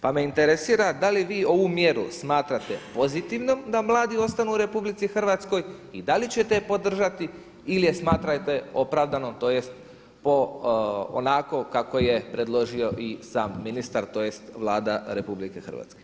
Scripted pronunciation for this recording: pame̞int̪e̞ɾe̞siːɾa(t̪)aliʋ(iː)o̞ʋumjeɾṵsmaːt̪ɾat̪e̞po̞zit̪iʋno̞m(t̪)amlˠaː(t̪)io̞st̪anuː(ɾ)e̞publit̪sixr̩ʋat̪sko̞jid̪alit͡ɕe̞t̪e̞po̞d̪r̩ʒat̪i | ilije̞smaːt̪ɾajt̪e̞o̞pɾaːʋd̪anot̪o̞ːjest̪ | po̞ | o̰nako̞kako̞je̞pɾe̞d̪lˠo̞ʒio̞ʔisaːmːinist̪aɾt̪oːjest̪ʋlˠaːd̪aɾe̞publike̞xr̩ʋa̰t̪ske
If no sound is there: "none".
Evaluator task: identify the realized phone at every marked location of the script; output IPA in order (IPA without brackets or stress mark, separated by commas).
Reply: d̪, iː, d̪, d̪, ɾ